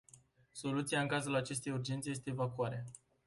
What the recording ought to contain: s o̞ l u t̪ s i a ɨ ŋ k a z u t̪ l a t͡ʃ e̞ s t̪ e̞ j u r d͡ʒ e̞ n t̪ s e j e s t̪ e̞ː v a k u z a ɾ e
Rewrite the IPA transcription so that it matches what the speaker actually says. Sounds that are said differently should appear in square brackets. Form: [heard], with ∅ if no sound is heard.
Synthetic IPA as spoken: s o̞ l u t̪ s i a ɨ ŋ k a z u [∅] l a t͡ʃ e̞ s t̪ e̞ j u r d͡ʒ e̞ n t̪ s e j e s t̪ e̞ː v a k u [∅] a ɾ e